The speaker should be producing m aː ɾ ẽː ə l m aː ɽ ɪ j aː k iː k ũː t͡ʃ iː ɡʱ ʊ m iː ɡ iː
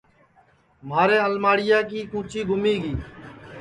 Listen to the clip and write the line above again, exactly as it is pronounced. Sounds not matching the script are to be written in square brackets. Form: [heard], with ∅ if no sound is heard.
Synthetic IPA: m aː ɾ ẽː ə l m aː ɽ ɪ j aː k iː k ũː t͡ʃ iː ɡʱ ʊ m iː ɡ iː

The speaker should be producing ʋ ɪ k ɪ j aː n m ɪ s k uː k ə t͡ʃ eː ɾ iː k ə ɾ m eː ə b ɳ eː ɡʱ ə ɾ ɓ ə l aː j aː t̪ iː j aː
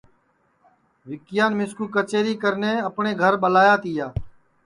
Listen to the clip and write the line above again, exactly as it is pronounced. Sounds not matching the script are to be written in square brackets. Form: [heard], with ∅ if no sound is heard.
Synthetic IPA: ʋ ɪ k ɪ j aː n m ɪ s k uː k ə t͡ʃ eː ɾ iː k ə ɾ [n] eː ə [p] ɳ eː ɡʱ ə ɾ ɓ ə l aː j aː t̪ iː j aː

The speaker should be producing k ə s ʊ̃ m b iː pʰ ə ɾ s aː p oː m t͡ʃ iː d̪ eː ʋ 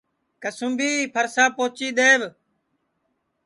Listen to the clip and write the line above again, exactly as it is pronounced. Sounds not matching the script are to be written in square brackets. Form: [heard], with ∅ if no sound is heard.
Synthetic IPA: k ə s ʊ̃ m b iː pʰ ə ɾ s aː p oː [∅] t͡ʃ iː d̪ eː ʋ

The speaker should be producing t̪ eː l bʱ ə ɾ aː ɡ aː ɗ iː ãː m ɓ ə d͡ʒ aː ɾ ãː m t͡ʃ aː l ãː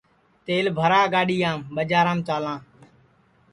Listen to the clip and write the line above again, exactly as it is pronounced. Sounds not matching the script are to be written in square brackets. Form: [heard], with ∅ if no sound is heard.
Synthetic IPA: t̪ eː l bʱ ə ɾ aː ɡ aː ɗ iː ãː m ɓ ə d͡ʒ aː ɾ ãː m t͡ʃ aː l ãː

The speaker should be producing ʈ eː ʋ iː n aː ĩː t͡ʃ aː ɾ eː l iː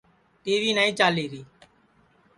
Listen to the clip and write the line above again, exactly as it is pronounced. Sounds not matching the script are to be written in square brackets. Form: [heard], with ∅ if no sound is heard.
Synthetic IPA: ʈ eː ʋ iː n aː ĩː t͡ʃ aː [l] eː [ɾ] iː

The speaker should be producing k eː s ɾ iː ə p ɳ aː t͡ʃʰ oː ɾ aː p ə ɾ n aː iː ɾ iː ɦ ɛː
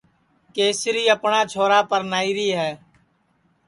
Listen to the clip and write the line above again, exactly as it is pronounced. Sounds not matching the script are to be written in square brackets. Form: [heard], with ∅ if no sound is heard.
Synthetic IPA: k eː s ɾ iː ə p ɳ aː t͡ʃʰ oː ɾ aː p ə ɾ n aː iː ɾ iː ɦ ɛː

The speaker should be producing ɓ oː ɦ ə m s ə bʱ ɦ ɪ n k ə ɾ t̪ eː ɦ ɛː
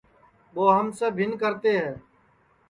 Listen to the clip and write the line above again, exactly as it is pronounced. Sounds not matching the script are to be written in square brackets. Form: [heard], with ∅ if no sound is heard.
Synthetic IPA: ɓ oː ɦ ə m s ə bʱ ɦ ɪ n k ə ɾ t̪ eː ɦ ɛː

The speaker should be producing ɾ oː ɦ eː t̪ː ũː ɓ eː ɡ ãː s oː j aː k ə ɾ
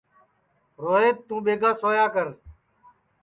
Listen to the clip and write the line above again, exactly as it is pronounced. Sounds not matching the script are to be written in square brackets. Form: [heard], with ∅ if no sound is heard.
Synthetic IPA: ɾ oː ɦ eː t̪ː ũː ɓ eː ɡ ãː s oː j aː k ə ɾ

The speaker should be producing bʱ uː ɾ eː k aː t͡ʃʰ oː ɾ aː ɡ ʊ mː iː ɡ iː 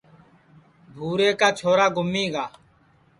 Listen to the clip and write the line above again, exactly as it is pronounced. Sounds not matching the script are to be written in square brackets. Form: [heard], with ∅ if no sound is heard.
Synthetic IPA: bʱ uː ɾ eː k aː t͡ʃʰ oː ɾ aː ɡ ʊ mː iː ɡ [aː]

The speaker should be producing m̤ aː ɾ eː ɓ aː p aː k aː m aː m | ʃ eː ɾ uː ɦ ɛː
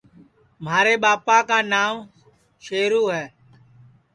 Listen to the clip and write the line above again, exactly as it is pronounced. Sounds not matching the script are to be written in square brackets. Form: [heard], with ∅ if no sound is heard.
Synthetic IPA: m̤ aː ɾ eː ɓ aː p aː k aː [n] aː m | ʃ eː ɾ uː ɦ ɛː

